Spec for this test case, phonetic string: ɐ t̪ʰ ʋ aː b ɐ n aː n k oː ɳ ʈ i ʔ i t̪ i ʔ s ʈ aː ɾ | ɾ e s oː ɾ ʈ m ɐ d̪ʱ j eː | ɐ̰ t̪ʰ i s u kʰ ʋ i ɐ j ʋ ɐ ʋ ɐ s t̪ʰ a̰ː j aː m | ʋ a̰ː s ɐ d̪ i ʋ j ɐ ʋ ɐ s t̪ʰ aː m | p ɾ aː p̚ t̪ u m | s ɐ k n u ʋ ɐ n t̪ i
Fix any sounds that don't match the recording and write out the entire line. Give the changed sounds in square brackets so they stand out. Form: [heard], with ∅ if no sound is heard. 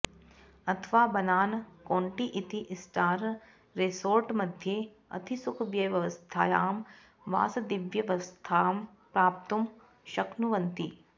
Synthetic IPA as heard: ɐ t̪ʰ ʋ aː b ɐ n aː n k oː ɳ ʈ i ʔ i t̪ i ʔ s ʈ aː ɾ | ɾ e s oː ɾ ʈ m ɐ d̪ʱ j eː | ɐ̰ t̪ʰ i s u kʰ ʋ [j] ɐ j ʋ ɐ ʋ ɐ s t̪ʰ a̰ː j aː m | ʋ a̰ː s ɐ d̪ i ʋ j ɐ ʋ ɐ s t̪ʰ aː m | p ɾ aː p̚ t̪ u m | [ʃ] ɐ k n u ʋ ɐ n t̪ i